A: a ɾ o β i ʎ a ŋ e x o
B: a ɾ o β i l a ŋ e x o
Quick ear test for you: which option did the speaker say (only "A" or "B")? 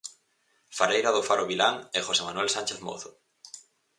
B